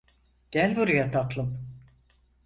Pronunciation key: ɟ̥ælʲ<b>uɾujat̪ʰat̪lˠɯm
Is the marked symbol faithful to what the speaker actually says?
yes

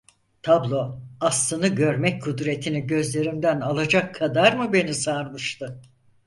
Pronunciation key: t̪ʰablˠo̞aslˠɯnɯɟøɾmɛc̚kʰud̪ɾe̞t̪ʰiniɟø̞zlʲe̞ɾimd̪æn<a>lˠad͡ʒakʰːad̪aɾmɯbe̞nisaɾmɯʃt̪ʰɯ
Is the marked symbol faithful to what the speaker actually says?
yes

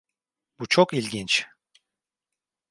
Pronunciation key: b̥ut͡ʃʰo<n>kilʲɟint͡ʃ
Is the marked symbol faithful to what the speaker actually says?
no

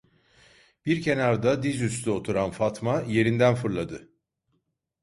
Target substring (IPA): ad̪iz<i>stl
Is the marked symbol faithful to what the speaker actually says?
no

